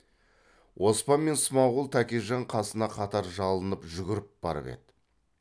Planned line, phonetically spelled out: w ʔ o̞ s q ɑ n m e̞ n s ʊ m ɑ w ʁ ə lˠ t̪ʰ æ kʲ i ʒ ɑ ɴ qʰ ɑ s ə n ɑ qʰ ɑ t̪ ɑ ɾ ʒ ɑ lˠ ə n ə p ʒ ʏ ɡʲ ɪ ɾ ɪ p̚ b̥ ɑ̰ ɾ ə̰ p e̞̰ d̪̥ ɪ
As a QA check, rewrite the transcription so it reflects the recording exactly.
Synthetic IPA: w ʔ o̞ s p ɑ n m e̞ n s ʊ m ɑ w ʁ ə lˠ t̪ʰ æ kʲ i ʒ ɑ ɴ qʰ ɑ s ə n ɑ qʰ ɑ t̪ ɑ ɾ ʒ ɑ lˠ ə n ə p ʒ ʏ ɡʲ ɪ ɾ ɪ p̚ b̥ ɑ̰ ɾ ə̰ p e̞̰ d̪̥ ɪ